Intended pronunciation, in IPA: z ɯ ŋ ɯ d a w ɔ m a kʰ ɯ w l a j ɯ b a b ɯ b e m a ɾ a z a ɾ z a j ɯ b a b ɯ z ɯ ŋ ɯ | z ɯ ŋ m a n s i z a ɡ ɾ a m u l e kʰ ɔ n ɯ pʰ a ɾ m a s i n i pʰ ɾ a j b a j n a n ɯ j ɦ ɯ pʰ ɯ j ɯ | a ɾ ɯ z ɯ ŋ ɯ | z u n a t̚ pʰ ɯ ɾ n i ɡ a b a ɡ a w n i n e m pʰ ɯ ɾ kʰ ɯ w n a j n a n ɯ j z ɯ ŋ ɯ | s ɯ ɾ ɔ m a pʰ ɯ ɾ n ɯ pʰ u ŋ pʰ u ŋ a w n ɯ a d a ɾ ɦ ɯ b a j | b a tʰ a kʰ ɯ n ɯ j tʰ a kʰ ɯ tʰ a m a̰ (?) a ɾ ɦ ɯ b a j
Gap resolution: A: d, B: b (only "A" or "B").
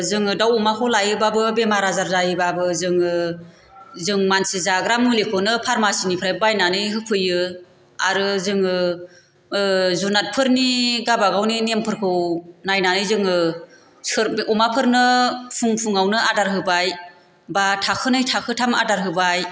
A